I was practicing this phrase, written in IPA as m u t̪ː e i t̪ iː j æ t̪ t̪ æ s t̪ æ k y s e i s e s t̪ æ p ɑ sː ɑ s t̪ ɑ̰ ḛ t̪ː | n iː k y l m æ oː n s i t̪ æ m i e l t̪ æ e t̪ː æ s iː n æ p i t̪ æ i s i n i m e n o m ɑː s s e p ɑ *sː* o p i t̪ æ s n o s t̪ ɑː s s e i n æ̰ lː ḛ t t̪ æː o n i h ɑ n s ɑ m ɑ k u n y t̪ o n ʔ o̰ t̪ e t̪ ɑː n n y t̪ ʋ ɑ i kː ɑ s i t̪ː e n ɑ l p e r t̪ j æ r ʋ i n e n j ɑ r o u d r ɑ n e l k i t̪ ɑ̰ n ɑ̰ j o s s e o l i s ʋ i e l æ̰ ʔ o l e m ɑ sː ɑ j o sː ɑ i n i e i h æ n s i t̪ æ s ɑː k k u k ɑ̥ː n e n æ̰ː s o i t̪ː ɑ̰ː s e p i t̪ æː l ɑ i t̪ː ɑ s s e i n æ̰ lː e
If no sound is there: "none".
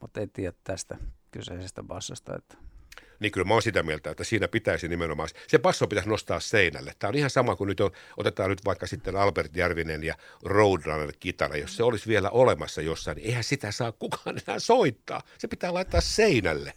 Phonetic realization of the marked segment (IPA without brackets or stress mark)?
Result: sː